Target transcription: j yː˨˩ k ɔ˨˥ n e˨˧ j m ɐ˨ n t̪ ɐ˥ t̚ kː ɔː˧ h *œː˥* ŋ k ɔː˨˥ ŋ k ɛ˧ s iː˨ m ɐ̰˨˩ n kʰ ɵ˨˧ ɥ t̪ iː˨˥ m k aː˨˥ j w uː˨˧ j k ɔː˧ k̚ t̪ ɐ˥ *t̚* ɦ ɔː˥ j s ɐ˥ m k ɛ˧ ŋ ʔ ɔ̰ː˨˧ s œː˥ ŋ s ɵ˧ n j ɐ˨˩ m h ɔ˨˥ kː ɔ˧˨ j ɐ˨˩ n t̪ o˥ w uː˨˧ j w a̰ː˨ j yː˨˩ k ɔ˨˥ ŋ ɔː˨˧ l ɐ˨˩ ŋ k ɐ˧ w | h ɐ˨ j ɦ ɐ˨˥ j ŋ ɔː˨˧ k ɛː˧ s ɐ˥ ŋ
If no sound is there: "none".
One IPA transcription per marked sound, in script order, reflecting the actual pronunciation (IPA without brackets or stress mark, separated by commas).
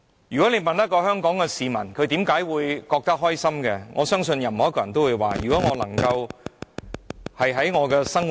œː˥, k̚